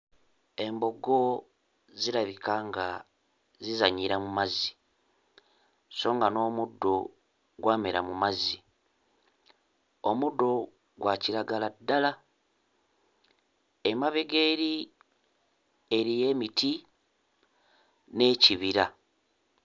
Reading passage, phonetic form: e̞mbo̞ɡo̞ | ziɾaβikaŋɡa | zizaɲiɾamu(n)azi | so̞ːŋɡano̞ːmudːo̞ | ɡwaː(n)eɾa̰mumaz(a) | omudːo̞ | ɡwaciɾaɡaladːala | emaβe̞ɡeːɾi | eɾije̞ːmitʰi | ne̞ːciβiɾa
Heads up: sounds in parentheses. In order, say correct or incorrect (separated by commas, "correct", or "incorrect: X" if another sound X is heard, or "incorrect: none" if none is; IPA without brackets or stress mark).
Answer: incorrect: m, incorrect: m, incorrect: i